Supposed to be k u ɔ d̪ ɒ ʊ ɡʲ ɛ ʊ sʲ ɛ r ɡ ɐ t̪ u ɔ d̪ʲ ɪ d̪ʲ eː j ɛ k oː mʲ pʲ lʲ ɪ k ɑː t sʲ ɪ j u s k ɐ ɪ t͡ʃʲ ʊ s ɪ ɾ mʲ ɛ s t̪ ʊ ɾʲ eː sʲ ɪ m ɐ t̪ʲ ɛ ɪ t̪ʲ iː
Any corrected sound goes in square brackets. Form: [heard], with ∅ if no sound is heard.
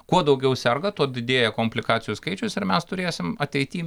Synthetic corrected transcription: k u ɔ d̪ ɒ ʊ ɡʲ ɛ ʊ sʲ ɛ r ɡ ɐ t̪ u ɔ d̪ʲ ɪ d̪ʲ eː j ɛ k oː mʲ pʲ lʲ ɪ k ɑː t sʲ ɪ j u s k ɐ ɪ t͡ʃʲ ʊ s ɪ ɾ mʲ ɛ s t̪ ʊ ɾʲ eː sʲ ɪ m ɐ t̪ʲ ɛ ɪ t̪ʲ iː